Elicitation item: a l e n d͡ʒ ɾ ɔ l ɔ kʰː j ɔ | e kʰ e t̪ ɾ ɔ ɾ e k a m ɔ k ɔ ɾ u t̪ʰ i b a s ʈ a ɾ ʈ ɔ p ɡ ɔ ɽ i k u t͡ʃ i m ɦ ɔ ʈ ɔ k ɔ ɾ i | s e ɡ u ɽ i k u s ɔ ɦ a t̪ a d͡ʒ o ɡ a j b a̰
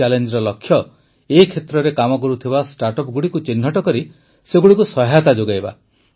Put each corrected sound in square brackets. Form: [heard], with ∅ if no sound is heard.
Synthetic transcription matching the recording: a l e n d͡ʒ ɾ ɔ l ɔ kʰː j ɔ | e kʰ e t̪ ɾ ɔ ɾ e k a m ɔ k ɔ ɾ u t̪ʰ i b a s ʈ a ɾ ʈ ɔ p ɡ [u] ɽ i k u t͡ʃ i [n] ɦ ɔ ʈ ɔ k ɔ ɾ i | s e ɡ u ɽ i k u s ɔ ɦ a t̪ a d͡ʒ o ɡ a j b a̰